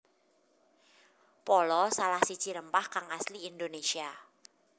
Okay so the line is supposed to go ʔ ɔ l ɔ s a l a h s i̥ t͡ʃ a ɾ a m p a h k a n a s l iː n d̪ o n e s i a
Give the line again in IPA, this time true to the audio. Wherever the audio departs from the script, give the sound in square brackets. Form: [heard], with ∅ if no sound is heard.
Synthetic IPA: [p] ɔ l ɔ s a l a h s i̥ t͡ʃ [i] ɾ [ə] m p a h k a [ŋ] a s l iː n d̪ o n e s i a